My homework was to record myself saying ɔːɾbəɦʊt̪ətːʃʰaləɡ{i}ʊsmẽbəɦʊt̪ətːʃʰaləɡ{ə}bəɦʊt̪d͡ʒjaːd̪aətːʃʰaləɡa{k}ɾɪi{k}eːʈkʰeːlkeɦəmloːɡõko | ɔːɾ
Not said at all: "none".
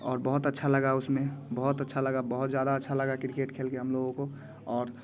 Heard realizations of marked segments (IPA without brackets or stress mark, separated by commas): a, a, k, k